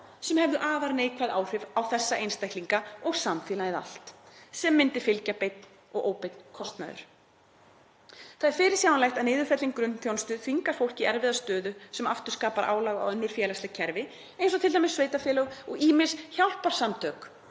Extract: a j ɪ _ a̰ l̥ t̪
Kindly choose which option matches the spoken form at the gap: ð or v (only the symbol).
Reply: ð